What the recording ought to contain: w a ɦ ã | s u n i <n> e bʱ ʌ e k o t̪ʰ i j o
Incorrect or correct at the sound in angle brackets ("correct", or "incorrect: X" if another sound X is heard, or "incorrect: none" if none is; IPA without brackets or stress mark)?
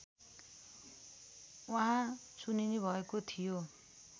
correct